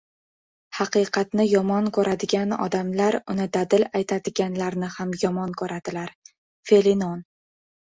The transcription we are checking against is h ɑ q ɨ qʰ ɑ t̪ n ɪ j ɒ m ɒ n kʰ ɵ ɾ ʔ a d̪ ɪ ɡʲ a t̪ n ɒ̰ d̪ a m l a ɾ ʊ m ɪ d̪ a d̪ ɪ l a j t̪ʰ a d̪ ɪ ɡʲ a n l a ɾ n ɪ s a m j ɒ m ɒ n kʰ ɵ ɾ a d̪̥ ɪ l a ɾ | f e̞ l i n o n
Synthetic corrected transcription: h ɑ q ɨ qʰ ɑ t̪ n ɪ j ɒ m ɒ n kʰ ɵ ɾ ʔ a d̪ ɪ ɡʲ a n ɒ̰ d̪ a m l a ɾ ʊ n ɪ d̪ a d̪ ɪ l a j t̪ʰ a d̪ ɪ ɡʲ a n l a ɾ n ɪ h a m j ɒ m ɒ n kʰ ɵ ɾ a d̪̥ ɪ l a ɾ | f e̞ l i n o n